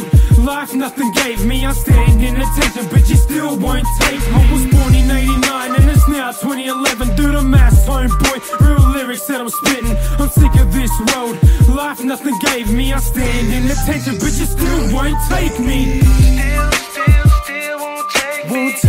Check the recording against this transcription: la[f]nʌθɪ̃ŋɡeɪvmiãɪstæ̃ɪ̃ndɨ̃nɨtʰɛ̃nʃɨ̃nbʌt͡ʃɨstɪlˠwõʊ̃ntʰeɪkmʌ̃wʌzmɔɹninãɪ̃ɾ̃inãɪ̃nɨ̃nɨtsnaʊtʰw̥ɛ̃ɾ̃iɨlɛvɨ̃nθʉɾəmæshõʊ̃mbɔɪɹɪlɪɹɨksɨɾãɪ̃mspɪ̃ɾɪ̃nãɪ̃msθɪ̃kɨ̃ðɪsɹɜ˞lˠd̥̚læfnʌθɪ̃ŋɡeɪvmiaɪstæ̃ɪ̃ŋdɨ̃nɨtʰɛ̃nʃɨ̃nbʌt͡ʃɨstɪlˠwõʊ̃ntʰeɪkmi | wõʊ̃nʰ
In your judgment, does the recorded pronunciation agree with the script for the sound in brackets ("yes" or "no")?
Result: yes